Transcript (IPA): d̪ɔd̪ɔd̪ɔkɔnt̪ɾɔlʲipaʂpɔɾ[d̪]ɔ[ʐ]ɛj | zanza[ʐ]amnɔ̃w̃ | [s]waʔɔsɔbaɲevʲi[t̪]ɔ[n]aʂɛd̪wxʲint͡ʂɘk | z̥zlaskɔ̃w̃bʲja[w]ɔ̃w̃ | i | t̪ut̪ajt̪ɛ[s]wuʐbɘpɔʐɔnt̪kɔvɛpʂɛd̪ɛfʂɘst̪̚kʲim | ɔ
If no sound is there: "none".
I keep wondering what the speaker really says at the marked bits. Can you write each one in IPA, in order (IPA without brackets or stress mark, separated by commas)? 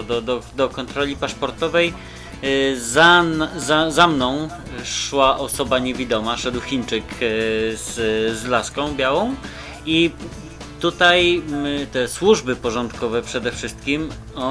t̪, v, z, ʂ, d̪, m, w, s